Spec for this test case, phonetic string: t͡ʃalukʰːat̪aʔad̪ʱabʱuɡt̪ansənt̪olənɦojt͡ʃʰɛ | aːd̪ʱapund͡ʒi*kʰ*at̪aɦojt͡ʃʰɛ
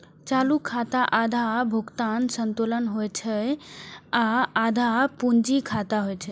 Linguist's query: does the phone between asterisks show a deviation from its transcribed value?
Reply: no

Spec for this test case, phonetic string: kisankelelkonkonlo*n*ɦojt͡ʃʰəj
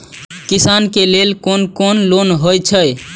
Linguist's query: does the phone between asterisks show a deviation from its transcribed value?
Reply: no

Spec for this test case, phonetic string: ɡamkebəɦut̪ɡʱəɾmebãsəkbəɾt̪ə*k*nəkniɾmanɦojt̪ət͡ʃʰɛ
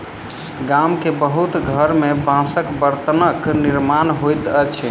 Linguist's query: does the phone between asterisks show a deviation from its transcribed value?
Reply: yes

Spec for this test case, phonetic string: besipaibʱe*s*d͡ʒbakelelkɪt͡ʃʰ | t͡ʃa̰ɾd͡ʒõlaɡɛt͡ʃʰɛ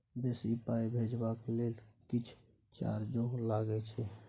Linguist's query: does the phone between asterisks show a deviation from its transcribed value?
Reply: yes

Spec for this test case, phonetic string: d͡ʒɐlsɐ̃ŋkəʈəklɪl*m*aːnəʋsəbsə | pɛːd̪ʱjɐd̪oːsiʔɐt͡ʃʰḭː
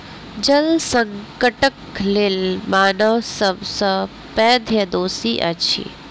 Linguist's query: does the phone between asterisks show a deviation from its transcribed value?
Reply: no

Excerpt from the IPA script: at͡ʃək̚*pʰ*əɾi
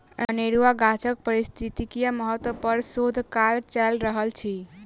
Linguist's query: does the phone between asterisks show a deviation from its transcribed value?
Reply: yes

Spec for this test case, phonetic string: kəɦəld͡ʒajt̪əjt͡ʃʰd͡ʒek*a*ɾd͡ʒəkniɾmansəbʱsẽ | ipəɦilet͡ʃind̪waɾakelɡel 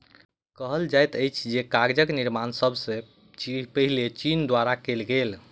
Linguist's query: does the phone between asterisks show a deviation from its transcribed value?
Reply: no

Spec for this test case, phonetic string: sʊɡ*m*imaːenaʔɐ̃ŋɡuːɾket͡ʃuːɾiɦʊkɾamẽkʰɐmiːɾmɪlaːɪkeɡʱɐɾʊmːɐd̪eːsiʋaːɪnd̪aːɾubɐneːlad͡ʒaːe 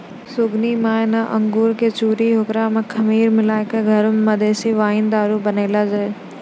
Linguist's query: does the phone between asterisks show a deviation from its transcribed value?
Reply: yes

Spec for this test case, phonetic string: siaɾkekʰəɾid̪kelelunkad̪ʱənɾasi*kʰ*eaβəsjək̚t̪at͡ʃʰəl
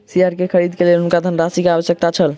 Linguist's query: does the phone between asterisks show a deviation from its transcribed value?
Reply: yes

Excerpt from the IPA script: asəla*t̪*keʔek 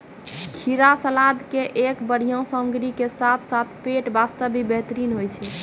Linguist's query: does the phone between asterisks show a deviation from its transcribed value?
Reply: yes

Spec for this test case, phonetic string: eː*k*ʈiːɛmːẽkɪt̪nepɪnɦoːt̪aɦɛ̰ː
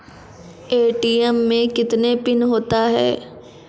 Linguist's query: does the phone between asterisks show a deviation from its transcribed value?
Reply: yes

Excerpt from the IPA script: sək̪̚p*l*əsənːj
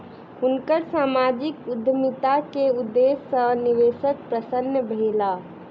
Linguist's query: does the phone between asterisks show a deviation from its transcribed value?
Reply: yes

